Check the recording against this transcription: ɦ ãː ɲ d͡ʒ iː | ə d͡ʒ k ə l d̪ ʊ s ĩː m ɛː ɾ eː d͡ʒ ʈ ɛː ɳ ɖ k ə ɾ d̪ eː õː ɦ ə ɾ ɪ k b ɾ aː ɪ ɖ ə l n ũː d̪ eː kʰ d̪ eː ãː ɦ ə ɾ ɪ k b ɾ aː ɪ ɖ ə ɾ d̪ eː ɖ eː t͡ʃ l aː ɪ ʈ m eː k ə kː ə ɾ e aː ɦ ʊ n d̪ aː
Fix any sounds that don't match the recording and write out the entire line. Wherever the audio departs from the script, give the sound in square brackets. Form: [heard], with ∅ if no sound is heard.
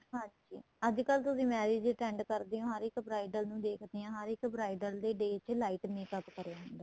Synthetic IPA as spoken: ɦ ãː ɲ d͡ʒ iː | ə d͡ʒ k ə l [t̪] ʊ s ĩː m ɛː ɾ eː d͡ʒ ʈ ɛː ɳ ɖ k ə ɾ d̪ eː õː ɦ ə ɾ ɪ k b ɾ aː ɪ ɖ ə l n ũː d̪ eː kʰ d̪ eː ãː ɦ ə ɾ ɪ k b ɾ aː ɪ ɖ ə [l] d̪ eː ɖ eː t͡ʃ l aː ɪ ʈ m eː k ə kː ə ɾ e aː ɦ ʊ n d̪ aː